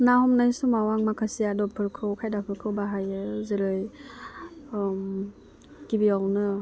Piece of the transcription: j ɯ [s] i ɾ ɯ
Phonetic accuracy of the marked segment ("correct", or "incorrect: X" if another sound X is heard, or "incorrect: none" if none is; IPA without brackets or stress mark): incorrect: z